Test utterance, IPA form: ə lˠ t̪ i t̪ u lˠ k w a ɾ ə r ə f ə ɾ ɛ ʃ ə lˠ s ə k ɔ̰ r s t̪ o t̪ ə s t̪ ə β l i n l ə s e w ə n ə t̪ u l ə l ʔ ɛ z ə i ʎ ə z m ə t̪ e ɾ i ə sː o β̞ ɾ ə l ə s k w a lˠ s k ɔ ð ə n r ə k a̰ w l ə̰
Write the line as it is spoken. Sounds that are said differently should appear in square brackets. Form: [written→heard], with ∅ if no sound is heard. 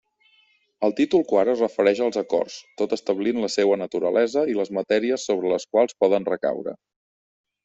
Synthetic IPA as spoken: ə lˠ t̪ i t̪ u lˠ k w a ɾ ə r ə f ə ɾ ɛ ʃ ə lˠ [s→z] ə k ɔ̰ r s t̪ o t̪ ə s t̪ ə β l i n l ə s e w ə n ə t̪ u [l→ɾ] ə l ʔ ɛ z ə i [ʎ→l] ə z m ə t̪ [e→ɛ] ɾ i ə sː o β̞ ɾ ə l ə s k w a lˠ s [k→p] ɔ ð ə n r ə k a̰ w [l→ɾ] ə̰